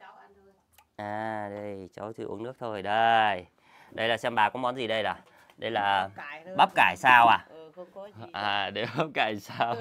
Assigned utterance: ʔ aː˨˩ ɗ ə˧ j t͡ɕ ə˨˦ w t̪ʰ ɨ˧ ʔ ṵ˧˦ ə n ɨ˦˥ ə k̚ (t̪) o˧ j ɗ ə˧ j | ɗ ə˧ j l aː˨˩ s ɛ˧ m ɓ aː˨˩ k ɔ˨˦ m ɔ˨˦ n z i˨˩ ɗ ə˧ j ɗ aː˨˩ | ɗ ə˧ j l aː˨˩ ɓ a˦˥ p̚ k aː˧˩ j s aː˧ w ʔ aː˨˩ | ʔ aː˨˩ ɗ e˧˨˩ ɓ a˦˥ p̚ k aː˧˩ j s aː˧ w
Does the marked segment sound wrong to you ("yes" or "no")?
yes